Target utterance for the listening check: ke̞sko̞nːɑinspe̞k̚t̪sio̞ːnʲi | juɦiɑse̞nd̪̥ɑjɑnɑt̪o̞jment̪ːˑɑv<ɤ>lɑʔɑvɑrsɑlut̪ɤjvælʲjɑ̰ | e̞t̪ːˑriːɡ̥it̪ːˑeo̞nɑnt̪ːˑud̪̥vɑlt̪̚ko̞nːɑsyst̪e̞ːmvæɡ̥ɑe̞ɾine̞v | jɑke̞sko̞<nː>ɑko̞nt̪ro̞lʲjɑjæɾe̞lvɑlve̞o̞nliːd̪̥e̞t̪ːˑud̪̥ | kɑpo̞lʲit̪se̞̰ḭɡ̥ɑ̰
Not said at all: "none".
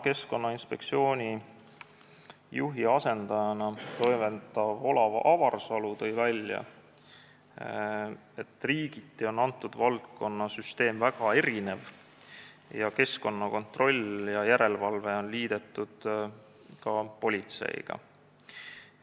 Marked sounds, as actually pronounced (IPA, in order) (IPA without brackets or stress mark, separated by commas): o, nː